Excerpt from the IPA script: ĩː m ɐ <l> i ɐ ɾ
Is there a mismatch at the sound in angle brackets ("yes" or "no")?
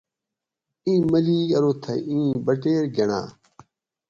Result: no